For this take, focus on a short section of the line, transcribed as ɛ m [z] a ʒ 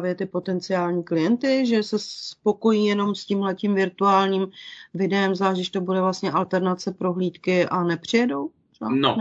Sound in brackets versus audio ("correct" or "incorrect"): correct